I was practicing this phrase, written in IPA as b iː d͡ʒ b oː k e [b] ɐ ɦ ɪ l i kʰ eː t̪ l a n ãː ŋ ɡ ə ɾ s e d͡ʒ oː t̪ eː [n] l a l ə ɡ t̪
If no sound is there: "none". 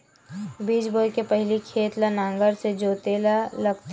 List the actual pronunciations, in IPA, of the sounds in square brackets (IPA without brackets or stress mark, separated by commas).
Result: p, none